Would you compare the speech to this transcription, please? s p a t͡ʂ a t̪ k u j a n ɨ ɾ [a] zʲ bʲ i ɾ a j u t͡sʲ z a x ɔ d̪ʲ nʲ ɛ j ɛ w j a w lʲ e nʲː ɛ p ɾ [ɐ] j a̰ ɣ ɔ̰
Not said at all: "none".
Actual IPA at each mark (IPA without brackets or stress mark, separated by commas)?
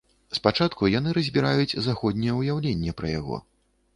ɐ, ɐ